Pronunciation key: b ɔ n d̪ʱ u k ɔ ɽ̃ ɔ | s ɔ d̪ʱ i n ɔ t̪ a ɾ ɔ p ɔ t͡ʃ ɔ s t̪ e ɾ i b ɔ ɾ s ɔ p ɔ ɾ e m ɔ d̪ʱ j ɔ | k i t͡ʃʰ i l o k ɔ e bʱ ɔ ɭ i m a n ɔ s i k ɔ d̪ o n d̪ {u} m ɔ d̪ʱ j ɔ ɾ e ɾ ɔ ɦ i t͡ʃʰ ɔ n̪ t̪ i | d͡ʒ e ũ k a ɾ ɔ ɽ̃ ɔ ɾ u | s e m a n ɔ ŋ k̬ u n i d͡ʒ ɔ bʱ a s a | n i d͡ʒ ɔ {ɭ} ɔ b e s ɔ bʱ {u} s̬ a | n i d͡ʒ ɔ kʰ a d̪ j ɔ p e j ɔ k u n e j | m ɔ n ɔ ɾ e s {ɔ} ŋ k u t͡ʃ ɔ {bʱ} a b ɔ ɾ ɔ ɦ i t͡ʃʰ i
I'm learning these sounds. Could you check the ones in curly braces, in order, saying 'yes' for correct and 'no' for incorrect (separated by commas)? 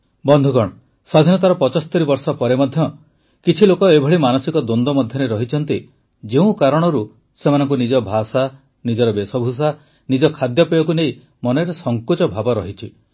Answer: no, no, yes, yes, yes